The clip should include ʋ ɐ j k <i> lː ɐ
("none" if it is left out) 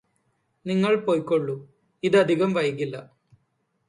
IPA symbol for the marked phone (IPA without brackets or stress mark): i